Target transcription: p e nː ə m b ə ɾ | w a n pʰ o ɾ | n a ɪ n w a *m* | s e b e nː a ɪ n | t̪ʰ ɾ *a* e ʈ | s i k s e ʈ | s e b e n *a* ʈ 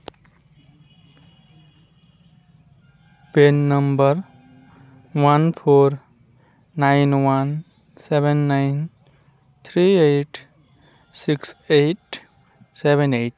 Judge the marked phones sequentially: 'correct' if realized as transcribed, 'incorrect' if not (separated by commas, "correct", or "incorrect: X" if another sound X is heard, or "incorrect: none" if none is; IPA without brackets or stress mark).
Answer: incorrect: n, incorrect: i, incorrect: e